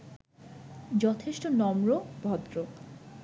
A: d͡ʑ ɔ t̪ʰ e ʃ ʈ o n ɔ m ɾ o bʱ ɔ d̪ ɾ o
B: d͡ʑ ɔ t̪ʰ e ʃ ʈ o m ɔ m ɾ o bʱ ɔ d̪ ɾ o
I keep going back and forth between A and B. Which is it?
A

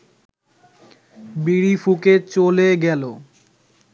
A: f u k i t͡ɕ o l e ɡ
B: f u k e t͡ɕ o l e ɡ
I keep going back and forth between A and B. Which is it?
B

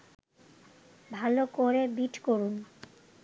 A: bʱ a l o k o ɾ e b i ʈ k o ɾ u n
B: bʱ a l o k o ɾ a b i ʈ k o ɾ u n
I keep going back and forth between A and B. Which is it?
A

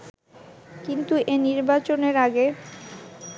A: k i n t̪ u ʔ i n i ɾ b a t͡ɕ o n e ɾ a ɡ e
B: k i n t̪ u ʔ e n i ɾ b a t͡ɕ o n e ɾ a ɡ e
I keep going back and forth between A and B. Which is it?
B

